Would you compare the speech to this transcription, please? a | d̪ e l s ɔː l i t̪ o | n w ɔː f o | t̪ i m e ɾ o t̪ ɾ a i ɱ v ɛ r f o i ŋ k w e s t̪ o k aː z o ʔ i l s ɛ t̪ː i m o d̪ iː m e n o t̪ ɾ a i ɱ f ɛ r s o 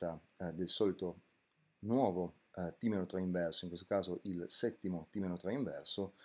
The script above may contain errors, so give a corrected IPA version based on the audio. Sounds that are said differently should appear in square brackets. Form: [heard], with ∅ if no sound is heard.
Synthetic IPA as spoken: a | d̪ e l s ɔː l i t̪ o | n w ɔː [v] o | t̪ i m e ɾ o t̪ ɾ a i ɱ v ɛ r [s] o i ŋ k w e s t̪ o k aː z o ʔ i l s ɛ t̪ː i m o [t̪] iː m e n o t̪ ɾ a i ɱ [v] ɛ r s o